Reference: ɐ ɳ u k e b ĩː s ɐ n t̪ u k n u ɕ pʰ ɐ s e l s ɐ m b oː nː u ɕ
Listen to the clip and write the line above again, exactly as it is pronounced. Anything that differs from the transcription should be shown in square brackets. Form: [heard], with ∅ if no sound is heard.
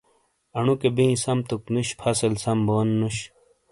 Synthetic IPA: ɐ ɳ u k e b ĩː s ɐ [m] t̪ u k n u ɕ pʰ ɐ s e l s ɐ m b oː nː u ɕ